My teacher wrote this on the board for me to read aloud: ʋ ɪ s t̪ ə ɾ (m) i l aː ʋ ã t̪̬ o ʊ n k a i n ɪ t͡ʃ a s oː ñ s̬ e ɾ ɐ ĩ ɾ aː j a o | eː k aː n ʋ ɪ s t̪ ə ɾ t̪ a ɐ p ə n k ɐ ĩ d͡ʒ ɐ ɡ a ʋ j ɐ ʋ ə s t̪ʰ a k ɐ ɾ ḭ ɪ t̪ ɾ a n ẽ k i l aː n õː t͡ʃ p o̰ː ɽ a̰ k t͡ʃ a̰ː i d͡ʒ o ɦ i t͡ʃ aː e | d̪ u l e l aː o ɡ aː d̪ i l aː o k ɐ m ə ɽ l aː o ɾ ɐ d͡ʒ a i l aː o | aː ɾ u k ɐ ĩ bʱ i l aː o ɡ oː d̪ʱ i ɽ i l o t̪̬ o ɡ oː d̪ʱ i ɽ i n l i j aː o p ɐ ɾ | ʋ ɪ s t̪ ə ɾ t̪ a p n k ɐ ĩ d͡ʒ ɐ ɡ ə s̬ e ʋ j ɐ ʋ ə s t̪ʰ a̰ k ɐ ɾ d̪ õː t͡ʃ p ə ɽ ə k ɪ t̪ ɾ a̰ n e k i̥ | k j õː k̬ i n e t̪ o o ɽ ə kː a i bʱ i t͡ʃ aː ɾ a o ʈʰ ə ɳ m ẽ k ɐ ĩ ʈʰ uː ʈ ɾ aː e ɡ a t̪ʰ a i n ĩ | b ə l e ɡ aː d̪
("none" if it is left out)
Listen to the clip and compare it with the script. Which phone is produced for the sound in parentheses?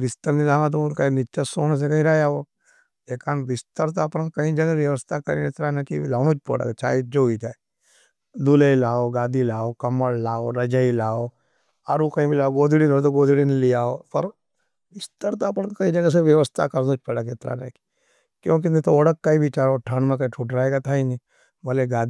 n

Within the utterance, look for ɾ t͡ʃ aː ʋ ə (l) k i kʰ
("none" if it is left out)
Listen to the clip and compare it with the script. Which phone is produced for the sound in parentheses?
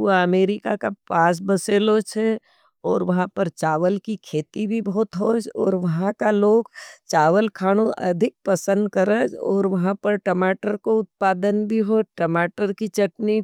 l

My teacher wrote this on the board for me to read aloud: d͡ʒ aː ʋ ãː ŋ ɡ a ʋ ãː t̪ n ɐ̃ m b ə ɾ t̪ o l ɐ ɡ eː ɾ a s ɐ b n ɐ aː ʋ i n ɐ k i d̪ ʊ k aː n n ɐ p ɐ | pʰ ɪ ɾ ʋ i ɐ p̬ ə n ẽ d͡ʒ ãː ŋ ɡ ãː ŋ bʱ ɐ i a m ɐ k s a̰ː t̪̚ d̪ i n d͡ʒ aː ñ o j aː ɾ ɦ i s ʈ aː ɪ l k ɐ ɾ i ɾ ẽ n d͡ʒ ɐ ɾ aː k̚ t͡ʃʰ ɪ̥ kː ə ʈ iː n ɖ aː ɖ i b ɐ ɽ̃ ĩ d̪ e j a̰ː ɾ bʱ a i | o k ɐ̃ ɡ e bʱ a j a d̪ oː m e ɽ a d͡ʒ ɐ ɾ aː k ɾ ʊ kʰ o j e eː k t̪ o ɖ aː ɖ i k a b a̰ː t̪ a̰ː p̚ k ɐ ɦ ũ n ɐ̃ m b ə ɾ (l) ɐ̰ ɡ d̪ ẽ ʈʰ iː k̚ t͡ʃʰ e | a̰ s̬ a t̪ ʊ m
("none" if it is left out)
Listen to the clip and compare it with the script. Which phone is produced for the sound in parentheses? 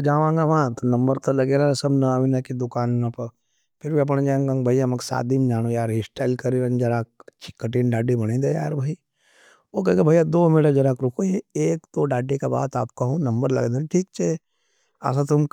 l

